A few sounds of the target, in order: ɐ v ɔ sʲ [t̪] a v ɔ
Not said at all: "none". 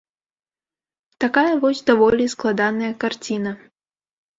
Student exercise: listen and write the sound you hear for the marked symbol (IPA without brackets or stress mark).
d̪